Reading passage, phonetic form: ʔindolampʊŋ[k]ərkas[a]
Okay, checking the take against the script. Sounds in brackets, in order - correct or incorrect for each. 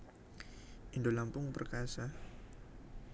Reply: incorrect, correct

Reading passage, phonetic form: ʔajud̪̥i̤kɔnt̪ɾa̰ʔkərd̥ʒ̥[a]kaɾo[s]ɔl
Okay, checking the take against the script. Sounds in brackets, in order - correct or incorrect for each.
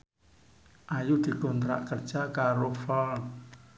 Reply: correct, incorrect

